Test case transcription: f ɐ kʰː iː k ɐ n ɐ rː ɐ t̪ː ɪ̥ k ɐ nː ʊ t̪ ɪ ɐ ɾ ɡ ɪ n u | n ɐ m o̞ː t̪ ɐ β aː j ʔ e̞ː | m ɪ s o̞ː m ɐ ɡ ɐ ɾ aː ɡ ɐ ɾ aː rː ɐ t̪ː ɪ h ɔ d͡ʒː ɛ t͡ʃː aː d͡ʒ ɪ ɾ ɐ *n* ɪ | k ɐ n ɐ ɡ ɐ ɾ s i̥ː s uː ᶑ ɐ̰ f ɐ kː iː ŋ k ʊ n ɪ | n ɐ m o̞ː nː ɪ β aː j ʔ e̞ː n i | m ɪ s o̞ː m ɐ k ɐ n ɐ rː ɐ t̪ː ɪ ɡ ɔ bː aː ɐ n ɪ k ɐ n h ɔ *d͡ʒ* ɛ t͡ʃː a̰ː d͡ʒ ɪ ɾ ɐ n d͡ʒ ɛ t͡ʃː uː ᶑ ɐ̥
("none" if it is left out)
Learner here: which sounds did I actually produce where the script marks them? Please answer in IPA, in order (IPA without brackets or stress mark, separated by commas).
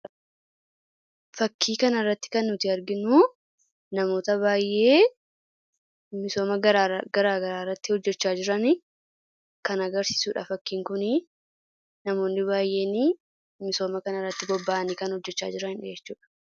n, d͡ʒː